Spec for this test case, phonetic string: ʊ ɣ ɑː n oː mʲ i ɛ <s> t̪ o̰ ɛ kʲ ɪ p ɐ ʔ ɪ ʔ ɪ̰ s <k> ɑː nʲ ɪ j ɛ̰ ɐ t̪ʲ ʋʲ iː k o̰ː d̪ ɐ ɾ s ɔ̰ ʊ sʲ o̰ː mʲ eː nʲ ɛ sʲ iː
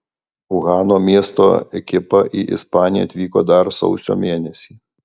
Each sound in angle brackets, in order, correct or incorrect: correct, incorrect: p

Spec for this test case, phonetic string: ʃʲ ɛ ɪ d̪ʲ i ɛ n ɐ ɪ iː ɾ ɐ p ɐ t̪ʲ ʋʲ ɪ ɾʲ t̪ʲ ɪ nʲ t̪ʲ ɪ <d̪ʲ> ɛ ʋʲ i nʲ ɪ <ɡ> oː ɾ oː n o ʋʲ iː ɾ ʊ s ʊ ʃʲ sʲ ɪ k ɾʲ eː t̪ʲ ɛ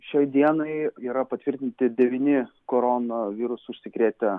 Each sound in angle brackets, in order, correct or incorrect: correct, incorrect: k

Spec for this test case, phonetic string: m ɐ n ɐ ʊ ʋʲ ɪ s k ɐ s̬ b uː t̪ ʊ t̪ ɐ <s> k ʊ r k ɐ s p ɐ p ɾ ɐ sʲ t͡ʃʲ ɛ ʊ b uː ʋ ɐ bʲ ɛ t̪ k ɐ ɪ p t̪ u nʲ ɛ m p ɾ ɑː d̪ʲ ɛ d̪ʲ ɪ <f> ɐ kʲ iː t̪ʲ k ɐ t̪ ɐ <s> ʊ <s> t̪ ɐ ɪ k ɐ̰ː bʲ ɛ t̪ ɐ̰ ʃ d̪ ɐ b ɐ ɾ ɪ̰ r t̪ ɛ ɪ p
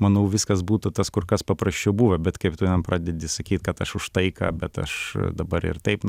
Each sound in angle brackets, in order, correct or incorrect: correct, incorrect: s, incorrect: ʃ, incorrect: ʃ

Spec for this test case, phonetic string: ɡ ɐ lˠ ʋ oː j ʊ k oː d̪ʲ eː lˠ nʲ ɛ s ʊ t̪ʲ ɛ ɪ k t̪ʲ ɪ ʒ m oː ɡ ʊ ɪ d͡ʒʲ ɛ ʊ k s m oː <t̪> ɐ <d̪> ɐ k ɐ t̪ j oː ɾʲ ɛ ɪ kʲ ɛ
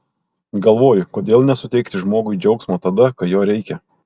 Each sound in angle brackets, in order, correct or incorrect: correct, correct

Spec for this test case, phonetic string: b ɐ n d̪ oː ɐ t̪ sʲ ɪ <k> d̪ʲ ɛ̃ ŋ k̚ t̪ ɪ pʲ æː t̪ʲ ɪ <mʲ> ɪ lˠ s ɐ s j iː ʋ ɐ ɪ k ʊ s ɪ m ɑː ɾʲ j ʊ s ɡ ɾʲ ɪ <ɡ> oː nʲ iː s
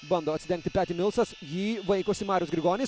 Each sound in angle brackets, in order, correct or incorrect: incorrect: none, correct, correct

